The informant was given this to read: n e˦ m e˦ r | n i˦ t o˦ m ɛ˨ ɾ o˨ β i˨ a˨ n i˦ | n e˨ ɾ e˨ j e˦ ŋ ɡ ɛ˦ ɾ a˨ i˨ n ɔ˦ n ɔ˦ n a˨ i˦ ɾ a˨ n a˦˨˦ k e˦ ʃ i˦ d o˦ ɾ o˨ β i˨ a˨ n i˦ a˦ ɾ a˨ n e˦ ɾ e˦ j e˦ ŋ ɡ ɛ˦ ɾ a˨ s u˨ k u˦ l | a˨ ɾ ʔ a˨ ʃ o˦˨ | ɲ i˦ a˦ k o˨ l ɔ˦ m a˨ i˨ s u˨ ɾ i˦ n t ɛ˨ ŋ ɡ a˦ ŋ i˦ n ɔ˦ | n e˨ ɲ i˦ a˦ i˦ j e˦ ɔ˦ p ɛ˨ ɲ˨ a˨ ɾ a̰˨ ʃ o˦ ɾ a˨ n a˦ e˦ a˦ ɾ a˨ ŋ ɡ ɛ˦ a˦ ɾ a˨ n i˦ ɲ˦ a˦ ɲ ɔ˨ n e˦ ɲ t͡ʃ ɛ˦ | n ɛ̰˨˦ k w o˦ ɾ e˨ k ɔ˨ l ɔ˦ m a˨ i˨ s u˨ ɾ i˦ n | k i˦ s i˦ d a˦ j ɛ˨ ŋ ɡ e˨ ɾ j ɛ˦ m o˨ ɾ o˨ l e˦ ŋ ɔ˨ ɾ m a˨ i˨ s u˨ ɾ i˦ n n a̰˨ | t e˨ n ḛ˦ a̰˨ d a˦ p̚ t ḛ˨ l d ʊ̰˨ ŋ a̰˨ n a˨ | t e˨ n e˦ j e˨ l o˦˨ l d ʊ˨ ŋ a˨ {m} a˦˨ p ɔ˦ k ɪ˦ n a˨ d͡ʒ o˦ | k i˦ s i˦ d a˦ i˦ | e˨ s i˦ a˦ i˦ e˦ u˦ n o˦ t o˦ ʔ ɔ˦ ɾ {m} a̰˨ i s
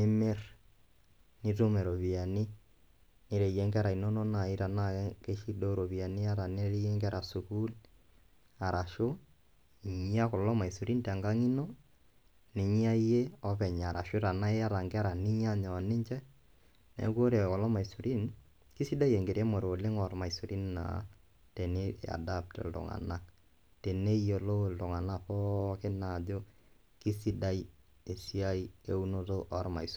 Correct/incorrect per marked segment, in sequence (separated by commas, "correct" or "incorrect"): incorrect, correct